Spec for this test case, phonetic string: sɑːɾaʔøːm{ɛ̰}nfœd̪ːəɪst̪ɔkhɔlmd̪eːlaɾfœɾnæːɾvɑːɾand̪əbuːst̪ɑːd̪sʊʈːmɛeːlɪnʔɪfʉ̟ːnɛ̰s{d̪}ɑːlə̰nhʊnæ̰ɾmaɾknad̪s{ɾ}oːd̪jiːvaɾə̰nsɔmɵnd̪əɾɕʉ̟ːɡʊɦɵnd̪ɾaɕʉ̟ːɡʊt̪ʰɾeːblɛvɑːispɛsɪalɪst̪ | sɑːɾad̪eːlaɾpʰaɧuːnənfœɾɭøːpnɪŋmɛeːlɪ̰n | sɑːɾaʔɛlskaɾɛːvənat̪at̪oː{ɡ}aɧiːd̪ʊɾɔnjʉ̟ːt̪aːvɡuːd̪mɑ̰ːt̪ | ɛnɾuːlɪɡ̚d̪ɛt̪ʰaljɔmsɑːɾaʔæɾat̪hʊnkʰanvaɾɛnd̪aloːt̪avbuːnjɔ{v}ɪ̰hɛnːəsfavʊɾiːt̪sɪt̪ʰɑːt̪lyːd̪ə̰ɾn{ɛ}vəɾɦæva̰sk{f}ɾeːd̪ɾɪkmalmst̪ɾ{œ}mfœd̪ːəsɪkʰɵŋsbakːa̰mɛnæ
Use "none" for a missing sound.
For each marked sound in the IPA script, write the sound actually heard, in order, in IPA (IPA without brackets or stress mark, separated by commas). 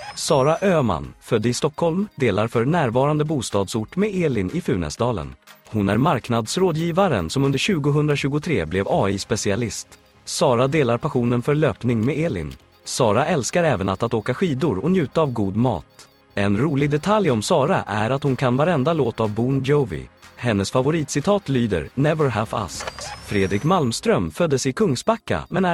a̰, d̪, ɾ, k, v, ɛ, f, œ